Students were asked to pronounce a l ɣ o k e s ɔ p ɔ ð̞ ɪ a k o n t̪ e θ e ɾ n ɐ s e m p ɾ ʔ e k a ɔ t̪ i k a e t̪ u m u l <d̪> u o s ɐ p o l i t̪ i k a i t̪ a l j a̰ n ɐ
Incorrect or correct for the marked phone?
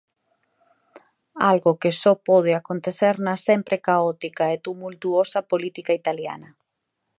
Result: incorrect: t̪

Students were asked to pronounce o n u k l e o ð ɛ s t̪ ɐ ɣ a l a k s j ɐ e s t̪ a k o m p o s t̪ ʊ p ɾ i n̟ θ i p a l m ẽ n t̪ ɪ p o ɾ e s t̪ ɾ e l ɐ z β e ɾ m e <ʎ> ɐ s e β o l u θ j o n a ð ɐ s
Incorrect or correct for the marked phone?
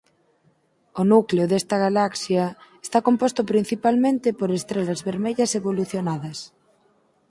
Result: correct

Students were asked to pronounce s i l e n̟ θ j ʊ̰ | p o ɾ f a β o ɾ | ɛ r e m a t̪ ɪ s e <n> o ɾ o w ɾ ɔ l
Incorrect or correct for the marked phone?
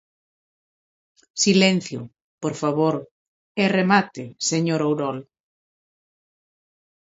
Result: incorrect: ɲ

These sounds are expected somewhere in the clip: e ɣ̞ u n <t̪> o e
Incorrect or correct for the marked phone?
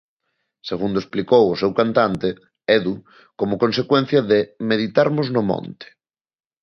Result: incorrect: d̪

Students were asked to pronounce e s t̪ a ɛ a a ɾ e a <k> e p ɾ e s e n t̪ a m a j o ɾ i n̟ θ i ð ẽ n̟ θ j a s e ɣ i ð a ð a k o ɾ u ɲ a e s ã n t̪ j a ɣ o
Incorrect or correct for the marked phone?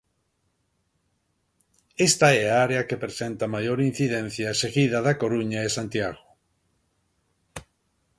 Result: correct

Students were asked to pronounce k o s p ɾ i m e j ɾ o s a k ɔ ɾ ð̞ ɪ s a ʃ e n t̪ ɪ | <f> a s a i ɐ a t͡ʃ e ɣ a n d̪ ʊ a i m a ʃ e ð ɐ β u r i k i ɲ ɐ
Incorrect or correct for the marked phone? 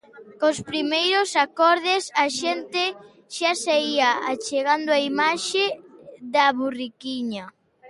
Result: incorrect: ʃ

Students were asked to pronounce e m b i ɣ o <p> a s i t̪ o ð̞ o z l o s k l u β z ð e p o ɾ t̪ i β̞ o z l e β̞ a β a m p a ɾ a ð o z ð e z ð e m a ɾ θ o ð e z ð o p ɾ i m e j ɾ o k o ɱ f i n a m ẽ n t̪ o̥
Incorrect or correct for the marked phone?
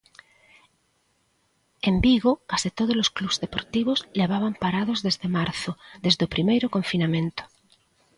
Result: incorrect: k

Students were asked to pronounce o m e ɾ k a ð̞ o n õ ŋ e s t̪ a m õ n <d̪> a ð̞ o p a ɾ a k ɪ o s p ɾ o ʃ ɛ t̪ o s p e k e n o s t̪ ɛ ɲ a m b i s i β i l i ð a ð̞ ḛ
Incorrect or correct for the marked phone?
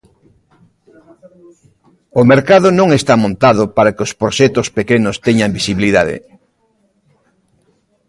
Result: incorrect: t̪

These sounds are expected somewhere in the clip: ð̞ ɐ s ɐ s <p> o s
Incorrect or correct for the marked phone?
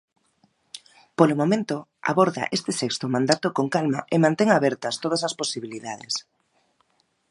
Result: correct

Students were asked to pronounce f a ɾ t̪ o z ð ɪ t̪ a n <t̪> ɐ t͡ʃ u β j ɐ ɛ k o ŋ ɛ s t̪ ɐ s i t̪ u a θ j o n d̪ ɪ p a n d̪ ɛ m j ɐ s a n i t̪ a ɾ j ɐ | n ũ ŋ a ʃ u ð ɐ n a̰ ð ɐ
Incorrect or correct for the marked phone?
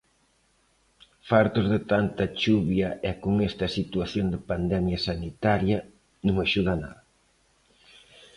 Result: correct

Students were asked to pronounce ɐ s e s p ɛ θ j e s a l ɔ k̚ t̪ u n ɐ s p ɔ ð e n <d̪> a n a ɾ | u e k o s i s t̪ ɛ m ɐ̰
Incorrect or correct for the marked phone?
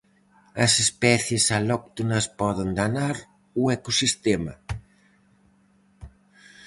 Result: correct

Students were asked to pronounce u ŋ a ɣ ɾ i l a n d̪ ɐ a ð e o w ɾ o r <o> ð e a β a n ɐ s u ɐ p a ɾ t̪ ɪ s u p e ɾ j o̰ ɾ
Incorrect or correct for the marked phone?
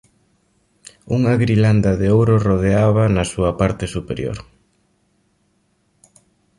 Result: correct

